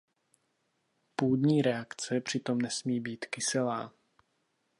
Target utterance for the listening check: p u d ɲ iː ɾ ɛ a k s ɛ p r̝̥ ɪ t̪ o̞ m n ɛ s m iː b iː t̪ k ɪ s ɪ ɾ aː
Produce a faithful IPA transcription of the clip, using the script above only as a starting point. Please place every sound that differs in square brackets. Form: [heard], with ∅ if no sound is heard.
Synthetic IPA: p [uː] d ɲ iː ɾ ɛ a k [t͡s] ɛ p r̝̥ ɪ t̪ o̞ m n ɛ s m iː b iː t̪ k ɪ s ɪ [l] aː